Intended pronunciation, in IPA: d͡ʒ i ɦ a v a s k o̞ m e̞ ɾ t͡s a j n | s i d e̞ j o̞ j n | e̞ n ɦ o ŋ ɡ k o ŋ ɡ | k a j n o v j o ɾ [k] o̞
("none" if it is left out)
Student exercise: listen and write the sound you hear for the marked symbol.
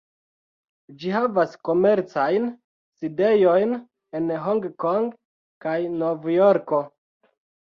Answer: k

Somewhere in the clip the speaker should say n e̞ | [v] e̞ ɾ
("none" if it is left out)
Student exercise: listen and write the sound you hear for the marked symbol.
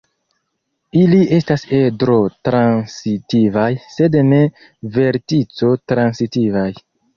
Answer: v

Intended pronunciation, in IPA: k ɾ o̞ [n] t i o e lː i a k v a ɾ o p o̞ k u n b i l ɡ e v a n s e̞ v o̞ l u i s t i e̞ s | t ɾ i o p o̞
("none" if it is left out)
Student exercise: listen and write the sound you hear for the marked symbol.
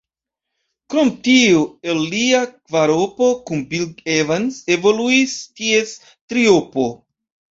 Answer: m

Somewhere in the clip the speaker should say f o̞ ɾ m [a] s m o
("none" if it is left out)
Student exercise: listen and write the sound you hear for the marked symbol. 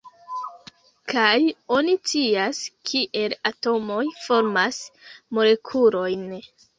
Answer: a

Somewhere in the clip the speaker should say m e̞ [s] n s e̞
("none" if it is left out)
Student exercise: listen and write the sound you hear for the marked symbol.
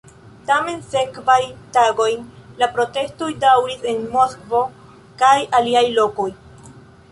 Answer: none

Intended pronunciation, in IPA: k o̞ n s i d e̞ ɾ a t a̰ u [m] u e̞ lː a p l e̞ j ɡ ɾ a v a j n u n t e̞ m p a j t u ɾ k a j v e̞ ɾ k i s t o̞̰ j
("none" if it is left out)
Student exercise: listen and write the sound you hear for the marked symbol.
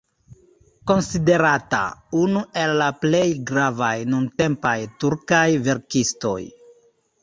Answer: n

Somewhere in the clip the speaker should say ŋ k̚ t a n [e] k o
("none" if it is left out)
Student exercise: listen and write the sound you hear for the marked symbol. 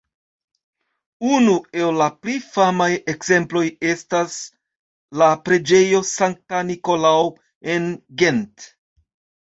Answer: i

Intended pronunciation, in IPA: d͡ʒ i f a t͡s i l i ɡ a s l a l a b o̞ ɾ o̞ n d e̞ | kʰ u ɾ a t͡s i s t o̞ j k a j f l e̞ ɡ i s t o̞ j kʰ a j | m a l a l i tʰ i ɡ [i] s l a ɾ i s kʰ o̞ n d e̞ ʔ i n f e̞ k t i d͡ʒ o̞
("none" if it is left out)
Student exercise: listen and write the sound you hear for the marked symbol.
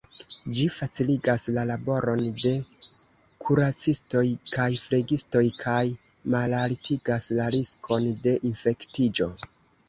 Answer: a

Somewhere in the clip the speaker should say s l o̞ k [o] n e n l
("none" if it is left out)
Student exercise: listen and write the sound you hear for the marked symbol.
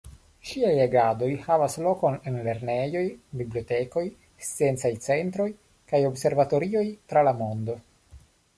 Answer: o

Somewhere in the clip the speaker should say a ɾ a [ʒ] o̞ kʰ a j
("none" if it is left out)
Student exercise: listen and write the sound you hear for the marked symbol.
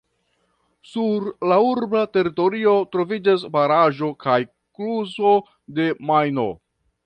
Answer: ʒ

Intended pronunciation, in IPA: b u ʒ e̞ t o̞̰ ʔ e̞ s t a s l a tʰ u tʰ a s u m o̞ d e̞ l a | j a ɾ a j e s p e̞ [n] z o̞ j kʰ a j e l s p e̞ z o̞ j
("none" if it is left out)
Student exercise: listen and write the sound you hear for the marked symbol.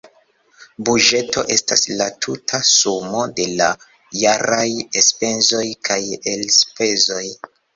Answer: n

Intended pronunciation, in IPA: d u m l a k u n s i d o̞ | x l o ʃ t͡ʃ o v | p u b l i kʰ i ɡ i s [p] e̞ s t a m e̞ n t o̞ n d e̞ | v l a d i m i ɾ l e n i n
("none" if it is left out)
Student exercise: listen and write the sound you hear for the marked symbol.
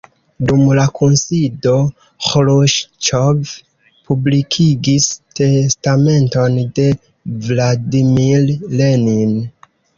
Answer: t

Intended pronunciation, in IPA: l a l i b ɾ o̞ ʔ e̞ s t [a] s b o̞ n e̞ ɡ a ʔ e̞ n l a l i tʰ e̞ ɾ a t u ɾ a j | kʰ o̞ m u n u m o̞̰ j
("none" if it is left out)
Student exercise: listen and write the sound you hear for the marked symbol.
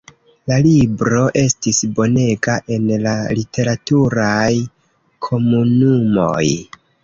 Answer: i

